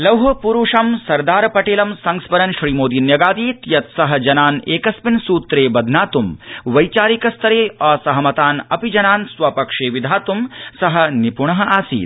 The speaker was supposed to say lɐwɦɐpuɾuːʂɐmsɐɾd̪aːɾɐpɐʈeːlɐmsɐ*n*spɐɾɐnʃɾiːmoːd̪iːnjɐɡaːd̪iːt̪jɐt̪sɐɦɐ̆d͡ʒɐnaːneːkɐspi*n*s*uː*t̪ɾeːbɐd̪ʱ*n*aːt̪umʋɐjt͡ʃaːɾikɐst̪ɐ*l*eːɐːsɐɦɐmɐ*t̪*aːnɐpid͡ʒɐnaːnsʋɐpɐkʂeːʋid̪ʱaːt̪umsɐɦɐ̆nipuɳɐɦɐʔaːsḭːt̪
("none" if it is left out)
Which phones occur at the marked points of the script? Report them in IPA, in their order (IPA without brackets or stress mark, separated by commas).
ŋ, n, uː, n, ɾ, t̪